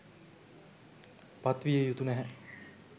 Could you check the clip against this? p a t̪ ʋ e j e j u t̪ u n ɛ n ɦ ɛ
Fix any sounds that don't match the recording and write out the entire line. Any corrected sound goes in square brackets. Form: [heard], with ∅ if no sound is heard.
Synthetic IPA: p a t̪ ʋ [i] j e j u t̪ u n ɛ [∅] ɦ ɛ